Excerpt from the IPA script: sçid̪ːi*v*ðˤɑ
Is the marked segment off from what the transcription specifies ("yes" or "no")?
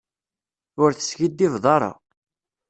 no